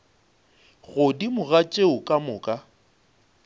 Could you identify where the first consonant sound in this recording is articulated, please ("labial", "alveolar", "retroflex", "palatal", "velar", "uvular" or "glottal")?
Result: velar